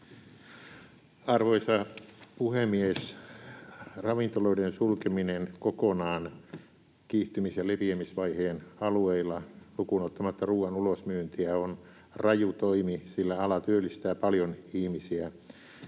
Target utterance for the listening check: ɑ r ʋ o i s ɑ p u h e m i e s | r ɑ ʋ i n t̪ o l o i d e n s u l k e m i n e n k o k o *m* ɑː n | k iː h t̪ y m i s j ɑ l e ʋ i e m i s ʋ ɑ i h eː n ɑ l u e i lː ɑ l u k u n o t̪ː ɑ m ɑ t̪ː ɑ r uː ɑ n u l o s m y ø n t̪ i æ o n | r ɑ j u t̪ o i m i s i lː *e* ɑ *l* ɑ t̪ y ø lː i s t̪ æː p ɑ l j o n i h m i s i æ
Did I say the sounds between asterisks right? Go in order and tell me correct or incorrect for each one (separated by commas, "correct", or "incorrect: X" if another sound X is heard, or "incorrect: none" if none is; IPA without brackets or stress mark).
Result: incorrect: n, incorrect: æ, correct